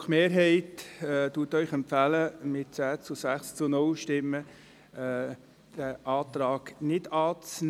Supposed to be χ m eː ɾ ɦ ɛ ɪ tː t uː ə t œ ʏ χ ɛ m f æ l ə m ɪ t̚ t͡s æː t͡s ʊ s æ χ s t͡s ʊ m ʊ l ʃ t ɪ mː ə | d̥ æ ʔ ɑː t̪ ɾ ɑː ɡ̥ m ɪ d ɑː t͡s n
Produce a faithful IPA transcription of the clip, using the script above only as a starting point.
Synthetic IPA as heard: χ m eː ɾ ɦ ɛ ɪ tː t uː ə t œ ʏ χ ɛ m f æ l ə m ɪ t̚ t͡s æː t͡s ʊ s æ χ s t͡s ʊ n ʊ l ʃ t ɪ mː ə | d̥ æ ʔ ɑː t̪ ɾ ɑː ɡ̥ n ɪ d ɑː t͡s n